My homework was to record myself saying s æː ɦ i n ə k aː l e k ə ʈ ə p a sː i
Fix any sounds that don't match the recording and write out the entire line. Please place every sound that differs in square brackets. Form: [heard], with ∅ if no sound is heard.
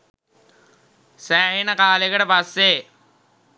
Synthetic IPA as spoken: s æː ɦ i n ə k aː l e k ə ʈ ə p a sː [e]